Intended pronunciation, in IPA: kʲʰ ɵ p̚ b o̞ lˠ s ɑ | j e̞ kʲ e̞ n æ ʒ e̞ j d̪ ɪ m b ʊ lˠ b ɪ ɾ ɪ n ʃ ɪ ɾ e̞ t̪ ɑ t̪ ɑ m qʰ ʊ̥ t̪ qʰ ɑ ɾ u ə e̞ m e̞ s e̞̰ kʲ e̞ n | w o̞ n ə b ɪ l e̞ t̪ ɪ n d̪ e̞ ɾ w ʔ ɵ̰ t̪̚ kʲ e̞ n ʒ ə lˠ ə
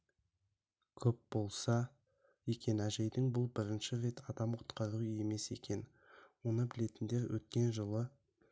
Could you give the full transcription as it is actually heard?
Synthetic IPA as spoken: kʲʰ ɵ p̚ b o̞ lˠ s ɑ | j e̞ kʲ e̞ n æ ʒ e̞ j d̪ ɪ ŋ b ʊ lˠ b ɪ ɾ ɪ n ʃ ɪ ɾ e̞ t̪ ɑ d̪ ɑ m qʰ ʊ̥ t̪ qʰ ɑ ɾ u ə e̞ m e̞ s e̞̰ kʲ e̞ n | w o̞ n ə b ɪ l e̞ t̪ ɪ n d̪ e̞ ɾ w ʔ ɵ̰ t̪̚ kʲ e̞ n ʒ ə lˠ ə

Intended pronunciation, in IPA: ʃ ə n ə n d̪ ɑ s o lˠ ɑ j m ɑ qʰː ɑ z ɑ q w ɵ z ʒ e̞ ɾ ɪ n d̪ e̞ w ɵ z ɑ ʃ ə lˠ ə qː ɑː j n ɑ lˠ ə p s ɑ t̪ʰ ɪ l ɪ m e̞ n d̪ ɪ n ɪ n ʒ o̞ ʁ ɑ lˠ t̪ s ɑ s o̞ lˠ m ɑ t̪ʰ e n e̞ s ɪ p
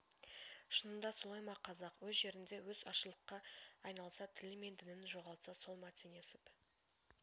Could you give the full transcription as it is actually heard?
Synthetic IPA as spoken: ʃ ə n ə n d̪ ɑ s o lˠ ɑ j m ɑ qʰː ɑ z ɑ q w ɵ z ʒ e̞ ɾ ɪ n d̪ e̞ w ɵ z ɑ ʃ ə lˠ ə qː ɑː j n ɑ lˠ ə s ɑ t̪ʰ ɪ l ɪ m e̞ n d̪ ɪ n ɪ n ʒ o̞ ʁ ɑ lˠ t̪ s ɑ s o̞ lˠ m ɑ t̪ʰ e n e̞ s ɪ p

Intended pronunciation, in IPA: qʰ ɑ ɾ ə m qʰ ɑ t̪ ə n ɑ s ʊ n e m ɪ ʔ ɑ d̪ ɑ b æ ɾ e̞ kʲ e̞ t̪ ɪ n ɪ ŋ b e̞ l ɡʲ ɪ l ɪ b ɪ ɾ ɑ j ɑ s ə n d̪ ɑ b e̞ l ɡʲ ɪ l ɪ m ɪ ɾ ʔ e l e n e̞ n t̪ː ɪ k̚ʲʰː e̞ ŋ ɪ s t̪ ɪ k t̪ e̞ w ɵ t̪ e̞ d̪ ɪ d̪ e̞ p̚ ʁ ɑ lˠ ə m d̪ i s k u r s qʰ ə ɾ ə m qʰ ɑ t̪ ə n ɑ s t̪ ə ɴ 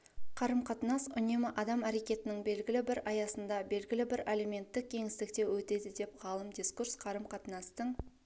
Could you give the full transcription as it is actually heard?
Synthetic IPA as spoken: qʰ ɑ ɾ ə m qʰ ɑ t̪ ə n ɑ s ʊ n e m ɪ ʔ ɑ d̪ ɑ m æ ɾ e̞ kʲ e̞ t̪ ɪ n ɪ ŋ b e̞ l ɡʲ ɪ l ɪ b ɪ ɾ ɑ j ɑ s ə n d̪ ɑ b e̞ l ɡʲ ɪ l ɪ b ɪ ɾ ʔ e l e m e̞ n t̪ː ɪ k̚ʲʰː e̞ ŋ ɪ s t̪ ɪ k t̪ e̞ w ɵ t̪ e̞ d̪ ɪ d̪ e̞ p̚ ʁ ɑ lˠ ə m d̪ i s k u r s qʰ ɑ ɾ ə m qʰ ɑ t̪ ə n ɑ s t̪ ə ɴ

